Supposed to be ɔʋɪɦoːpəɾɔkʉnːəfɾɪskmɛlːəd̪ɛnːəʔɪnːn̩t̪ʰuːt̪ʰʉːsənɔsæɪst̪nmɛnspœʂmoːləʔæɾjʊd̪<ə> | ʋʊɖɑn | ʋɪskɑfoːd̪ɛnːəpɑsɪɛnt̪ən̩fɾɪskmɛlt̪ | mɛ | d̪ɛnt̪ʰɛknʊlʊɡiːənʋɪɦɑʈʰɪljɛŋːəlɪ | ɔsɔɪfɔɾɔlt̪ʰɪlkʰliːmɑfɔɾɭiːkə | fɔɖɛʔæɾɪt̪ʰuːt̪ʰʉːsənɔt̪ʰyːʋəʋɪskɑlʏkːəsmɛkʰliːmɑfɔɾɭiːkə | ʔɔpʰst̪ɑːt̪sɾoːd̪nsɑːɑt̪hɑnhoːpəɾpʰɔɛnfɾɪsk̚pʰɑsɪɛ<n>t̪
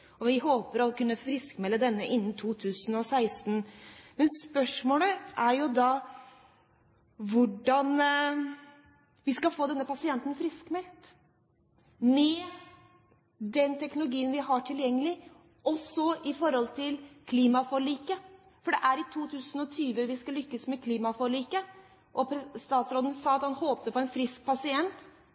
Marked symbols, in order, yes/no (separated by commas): no, yes